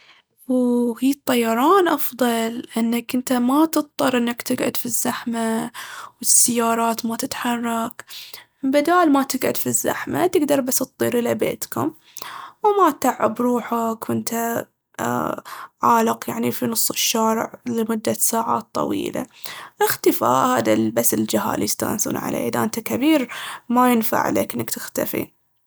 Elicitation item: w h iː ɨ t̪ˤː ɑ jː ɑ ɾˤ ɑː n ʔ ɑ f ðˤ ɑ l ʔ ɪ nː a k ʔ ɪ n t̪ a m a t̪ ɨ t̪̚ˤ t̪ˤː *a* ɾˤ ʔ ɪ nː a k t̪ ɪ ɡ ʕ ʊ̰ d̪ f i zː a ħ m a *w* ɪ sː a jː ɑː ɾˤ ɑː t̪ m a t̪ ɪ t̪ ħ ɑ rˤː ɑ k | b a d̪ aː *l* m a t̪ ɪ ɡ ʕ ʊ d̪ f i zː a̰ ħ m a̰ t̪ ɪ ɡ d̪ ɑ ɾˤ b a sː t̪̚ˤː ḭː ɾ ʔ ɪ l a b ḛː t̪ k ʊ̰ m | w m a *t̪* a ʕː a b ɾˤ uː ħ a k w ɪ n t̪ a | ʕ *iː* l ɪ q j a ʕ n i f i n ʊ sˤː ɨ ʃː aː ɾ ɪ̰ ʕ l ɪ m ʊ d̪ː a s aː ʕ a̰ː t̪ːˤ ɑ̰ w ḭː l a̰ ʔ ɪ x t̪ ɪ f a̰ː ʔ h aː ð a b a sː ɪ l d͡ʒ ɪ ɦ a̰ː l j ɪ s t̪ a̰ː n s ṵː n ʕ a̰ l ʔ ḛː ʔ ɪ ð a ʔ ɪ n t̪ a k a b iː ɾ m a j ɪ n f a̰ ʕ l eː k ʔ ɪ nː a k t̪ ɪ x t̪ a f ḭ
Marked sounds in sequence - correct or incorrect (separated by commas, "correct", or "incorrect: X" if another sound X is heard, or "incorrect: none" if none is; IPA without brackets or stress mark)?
incorrect: ɑ, correct, correct, correct, incorrect: aː